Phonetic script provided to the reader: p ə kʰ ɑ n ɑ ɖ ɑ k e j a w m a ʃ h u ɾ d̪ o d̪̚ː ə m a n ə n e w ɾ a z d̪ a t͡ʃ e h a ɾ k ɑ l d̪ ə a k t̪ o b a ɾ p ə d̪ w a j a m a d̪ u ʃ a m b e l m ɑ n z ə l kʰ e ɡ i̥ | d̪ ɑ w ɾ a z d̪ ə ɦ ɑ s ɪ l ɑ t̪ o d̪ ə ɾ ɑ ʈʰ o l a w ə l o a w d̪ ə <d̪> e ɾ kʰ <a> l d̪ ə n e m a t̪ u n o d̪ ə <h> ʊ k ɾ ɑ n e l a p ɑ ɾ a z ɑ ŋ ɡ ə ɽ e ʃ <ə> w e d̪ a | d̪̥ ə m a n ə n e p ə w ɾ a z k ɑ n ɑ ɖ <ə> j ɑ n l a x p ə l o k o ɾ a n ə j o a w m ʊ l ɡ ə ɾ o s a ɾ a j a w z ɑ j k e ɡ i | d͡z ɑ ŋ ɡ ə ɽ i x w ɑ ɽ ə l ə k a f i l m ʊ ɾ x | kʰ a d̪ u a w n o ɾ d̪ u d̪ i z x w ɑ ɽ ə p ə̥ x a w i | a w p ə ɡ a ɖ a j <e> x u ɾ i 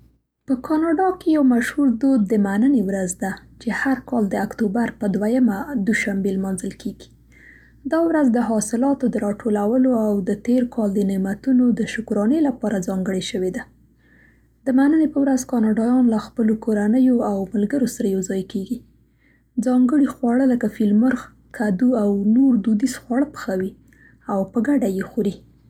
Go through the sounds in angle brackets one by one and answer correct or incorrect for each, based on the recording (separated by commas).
incorrect, incorrect, incorrect, correct, incorrect, correct